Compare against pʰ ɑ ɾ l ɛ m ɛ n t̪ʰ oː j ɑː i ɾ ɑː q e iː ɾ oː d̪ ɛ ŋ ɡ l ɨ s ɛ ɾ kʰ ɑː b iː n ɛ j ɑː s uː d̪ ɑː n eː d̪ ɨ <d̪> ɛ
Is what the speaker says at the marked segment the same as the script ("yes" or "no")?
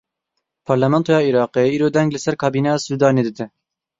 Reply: yes